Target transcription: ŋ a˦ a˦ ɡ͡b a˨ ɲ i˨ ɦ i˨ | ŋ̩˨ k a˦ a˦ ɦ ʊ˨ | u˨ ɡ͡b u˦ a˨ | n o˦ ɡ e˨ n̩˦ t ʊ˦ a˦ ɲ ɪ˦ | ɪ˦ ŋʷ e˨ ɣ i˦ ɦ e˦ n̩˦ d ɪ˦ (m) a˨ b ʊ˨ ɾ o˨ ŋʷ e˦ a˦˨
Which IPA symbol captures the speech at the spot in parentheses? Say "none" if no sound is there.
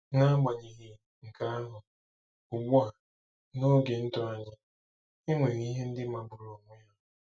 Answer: m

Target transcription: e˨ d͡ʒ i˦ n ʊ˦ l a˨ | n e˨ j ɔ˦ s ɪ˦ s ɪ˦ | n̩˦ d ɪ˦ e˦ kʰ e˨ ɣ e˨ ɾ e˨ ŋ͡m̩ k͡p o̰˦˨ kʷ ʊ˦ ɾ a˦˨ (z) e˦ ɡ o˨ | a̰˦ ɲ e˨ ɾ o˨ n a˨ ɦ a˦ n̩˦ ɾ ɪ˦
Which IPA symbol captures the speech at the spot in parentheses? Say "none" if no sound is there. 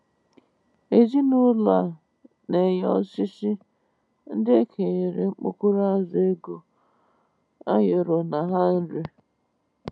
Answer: z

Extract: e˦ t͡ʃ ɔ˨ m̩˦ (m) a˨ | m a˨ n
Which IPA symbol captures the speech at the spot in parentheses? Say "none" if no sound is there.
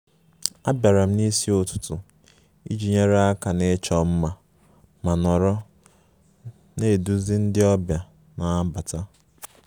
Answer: m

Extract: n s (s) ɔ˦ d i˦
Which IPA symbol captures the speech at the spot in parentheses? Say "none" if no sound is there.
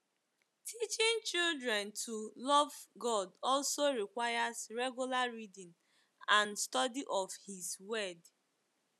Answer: t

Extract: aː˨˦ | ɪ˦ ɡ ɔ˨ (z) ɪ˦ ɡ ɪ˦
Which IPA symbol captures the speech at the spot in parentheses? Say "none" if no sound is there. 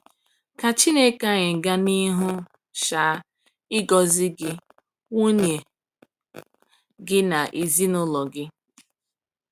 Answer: z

